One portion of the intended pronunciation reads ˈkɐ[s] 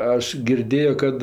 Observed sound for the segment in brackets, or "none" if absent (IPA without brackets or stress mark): t